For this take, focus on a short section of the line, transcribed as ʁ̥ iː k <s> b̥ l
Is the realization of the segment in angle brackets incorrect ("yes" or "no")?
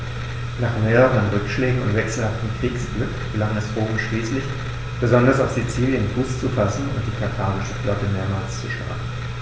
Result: no